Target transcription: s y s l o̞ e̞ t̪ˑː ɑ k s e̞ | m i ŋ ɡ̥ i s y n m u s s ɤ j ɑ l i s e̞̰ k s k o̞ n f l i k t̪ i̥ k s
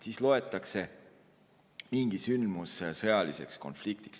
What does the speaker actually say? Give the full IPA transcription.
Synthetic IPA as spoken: s i s l o̞ e̞ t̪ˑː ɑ k s e̞ | m i ŋ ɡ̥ i s y n m u s s ɤ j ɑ l i s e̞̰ k s k o̞ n f l i k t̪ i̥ k s